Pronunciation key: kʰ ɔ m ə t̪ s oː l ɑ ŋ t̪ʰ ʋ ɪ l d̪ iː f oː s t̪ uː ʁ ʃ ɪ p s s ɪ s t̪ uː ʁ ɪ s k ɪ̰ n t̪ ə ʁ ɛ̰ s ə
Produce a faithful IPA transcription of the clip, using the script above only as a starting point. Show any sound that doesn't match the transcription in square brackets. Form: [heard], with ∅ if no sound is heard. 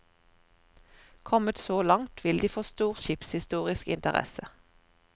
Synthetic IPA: kʰ ɔ m ə t̪ s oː l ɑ ŋ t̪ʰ ʋ ɪ l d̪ iː f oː s t̪ uː ʁ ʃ ɪ p s [h] ɪ s t̪ uː ʁ ɪ s k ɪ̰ n t̪ ə ʁ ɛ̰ s ə